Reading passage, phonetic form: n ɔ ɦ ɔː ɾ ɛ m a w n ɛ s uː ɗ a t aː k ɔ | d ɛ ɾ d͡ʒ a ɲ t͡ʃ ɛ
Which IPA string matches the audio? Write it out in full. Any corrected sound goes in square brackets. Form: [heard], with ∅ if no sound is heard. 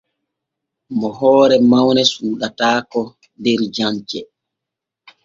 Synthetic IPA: [m] ɔ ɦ ɔː ɾ ɛ m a w n ɛ s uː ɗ a t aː k ɔ | d ɛ ɾ d͡ʒ a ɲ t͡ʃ ɛ